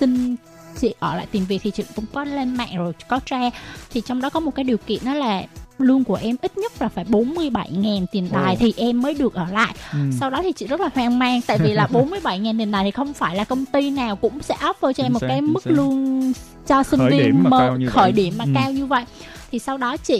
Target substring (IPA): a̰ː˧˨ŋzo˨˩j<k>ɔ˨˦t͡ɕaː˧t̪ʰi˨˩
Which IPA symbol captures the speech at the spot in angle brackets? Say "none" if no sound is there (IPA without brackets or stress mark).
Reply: k